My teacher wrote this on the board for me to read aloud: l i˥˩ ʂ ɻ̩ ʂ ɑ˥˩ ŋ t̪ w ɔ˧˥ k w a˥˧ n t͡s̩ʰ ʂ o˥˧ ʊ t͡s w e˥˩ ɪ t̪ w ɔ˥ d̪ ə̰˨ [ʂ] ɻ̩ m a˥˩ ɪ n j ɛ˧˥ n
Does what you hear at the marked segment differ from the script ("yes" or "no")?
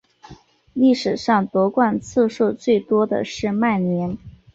no